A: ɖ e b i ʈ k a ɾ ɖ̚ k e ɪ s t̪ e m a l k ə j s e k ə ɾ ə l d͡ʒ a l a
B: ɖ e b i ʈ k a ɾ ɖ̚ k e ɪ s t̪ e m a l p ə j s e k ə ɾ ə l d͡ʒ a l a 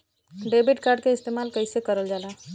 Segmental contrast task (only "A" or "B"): A